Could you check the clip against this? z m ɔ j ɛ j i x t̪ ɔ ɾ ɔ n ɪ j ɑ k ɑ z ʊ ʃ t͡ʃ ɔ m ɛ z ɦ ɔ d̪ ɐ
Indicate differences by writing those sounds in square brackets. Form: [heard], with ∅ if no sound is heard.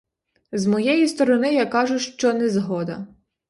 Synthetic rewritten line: z m ɔ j ɛ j i [s] t̪ ɔ ɾ ɔ n ɪ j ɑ k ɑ [ʒ] ʊ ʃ t͡ʃ ɔ [n] ɛ z ɦ ɔ d̪ ɐ

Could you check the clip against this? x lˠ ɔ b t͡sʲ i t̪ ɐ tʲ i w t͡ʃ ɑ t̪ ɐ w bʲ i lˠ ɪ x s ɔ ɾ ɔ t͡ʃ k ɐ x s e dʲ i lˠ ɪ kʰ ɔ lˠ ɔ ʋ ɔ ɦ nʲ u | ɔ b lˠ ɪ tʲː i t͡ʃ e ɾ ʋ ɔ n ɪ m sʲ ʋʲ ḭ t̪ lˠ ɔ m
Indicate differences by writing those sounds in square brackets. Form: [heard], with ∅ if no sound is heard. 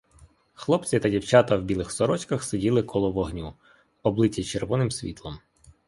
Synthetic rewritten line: x lˠ ɔ [p] t͡sʲ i t̪ ɐ [dʲ] i w t͡ʃ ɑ t̪ ɐ w bʲ i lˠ ɪ x s ɔ ɾ ɔ t͡ʃ k ɐ x s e dʲ i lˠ ɪ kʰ ɔ lˠ ɔ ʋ ɔ ɦ nʲ u | ɔ b lˠ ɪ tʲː i t͡ʃ e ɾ ʋ ɔ n ɪ m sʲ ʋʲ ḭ t̪ lˠ ɔ m

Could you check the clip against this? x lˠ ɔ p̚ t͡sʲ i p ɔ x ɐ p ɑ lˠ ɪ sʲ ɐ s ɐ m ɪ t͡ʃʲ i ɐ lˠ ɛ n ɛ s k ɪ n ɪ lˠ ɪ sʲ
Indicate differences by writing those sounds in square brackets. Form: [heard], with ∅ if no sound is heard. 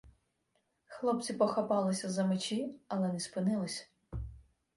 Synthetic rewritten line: x lˠ ɔ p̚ t͡sʲ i p ɔ x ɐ p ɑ lˠ ɪ sʲ ɐ [z] ɐ m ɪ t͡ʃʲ i ɐ lˠ ɛ n ɛ s [p] ɪ n ɪ lˠ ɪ sʲ

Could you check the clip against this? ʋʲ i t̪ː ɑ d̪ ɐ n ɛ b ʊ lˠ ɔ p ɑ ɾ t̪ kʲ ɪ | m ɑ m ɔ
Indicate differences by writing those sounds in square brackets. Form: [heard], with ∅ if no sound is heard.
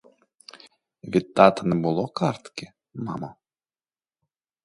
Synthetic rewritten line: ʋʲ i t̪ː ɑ [t̪] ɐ n ɛ b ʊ lˠ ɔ [k] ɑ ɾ t̪ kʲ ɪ | m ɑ m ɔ

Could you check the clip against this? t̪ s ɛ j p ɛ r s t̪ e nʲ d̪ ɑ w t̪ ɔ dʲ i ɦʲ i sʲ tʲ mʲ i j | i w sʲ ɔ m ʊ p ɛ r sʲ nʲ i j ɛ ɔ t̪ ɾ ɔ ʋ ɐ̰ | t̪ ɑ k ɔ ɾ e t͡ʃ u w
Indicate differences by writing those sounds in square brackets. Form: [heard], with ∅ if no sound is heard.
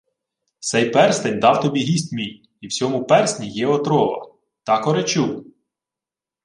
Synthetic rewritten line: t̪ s ɛ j p ɛ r s t̪ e nʲ d̪ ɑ w t̪ ɔ [bʲ] i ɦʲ i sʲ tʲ mʲ i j | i w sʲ ɔ m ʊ p ɛ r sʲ nʲ i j ɛ ɔ t̪ ɾ ɔ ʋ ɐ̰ | t̪ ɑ k ɔ ɾ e t͡ʃ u w

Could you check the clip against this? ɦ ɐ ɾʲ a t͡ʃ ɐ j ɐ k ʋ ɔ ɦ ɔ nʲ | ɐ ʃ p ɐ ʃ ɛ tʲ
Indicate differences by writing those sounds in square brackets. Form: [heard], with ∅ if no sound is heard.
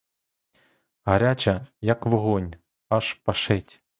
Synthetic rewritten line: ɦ ɐ ɾʲ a t͡ʃ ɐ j ɐ k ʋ ɔ ɦ ɔ nʲ | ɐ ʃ p ɐ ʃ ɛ tʲ

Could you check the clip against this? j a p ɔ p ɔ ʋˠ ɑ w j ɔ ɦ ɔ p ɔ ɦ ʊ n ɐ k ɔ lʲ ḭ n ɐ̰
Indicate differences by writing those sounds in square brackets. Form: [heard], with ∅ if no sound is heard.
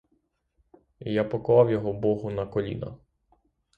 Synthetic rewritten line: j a p ɔ [k] ɔ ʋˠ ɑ w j ɔ ɦ ɔ [b] ɔ ɦ ʊ n ɐ k ɔ lʲ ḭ n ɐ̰

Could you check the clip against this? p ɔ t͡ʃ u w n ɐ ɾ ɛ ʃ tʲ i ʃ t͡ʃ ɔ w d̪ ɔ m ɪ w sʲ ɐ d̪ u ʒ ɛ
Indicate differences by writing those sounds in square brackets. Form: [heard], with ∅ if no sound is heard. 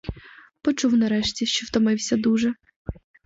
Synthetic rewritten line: p ɔ t͡ʃ u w n ɐ ɾ ɛ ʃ tʲ i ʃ t͡ʃ ɔ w [t̪] ɔ m ɪ w sʲ ɐ d̪ u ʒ ɛ

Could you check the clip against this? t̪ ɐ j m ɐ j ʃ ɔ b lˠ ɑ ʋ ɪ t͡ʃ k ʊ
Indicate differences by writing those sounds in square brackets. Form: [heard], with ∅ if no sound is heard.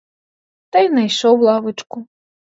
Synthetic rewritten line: t̪ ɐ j [n] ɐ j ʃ ɔ [w] lˠ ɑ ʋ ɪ t͡ʃ k ʊ

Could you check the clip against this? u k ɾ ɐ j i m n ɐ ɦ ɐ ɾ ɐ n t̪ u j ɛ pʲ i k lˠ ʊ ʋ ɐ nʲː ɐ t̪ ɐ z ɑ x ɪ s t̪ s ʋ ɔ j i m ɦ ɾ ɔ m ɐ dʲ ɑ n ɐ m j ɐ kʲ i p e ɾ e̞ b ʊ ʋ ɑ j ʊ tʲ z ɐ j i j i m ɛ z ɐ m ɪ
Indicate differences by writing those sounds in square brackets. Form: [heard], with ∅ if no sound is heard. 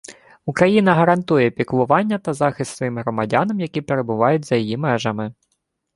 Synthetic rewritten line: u k ɾ ɐ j i [∅] n ɐ ɦ ɐ ɾ ɐ n t̪ u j ɛ pʲ i k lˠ ʊ ʋ [ɑ] nʲː ɐ t̪ ɐ z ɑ x ɪ s t̪ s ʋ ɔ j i m ɦ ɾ ɔ m ɐ dʲ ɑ n ɐ m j ɐ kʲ i p e ɾ e̞ b ʊ ʋ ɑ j ʊ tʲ z ɐ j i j i m ɛ [ʒ] ɐ m ɪ

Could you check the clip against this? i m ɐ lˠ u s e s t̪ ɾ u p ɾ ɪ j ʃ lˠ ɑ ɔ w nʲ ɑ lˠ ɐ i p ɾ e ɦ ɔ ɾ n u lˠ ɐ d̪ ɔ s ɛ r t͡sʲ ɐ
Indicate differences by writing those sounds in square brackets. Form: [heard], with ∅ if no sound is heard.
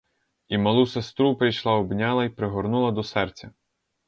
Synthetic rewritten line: i m ɐ lˠ u s e s t̪ ɾ u p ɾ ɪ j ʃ lˠ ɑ ɔ [b] nʲ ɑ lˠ ɐ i p ɾ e ɦ ɔ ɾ n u lˠ ɐ d̪ ɔ s ɛ r t͡sʲ ɐ

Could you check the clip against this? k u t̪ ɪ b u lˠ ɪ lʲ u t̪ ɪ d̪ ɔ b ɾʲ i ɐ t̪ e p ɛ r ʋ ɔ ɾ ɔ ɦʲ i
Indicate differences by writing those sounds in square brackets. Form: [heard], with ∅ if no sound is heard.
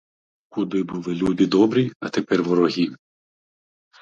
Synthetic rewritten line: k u [d̪] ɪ b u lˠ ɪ lʲ u [d̪] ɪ d̪ ɔ b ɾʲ i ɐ t̪ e p ɛ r ʋ ɔ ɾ ɔ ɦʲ i

